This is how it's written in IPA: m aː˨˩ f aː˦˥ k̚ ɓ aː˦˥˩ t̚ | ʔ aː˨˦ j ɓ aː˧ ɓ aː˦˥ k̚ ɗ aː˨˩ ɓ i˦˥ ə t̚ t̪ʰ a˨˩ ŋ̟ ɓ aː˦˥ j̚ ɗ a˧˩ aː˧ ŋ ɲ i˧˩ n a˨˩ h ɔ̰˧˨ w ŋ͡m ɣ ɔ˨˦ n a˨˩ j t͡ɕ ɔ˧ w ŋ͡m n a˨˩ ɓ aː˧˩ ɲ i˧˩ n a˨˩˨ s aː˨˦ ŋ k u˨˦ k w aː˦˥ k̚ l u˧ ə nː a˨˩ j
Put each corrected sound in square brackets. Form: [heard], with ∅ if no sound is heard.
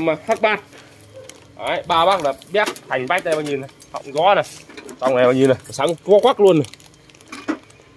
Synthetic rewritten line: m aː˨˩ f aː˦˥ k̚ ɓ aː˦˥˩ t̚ | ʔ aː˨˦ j ɓ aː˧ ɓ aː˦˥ k̚ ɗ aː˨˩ ɓ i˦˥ ə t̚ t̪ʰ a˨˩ ŋ̟ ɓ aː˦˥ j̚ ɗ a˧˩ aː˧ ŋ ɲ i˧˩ n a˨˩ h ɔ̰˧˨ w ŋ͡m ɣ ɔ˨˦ n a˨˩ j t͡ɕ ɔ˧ w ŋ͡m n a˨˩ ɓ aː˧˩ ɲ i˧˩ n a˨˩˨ s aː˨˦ ŋ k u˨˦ k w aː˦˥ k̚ l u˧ ə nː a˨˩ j